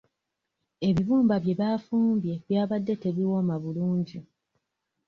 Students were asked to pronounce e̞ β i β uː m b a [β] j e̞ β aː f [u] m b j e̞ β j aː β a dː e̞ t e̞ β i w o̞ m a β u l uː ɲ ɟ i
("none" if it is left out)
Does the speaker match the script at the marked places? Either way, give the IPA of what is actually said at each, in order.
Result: β, uː

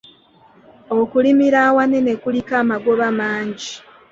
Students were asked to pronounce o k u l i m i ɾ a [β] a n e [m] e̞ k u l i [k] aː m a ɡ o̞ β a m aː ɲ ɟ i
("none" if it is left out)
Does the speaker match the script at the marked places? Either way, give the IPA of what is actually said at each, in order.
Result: w, n, k

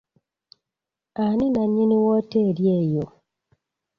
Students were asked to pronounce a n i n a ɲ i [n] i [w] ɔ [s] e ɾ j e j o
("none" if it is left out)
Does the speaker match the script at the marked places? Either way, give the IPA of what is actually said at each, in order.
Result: n, w, t

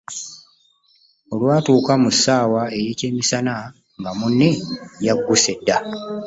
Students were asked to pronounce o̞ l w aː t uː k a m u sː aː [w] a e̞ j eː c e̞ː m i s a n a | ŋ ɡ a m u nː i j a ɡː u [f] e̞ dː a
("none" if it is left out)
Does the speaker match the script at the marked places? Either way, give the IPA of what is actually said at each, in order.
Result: w, s

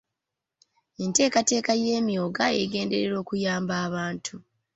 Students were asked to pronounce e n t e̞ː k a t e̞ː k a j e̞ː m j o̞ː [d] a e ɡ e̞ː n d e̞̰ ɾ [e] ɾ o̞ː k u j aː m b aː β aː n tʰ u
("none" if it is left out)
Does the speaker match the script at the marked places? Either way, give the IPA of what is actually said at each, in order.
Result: ɡ, e

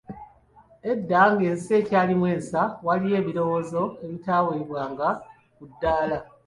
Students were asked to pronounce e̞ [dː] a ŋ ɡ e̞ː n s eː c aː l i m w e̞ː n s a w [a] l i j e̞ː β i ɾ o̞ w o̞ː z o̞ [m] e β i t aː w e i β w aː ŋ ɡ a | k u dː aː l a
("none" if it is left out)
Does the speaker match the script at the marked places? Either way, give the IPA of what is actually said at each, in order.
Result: dː, a, none

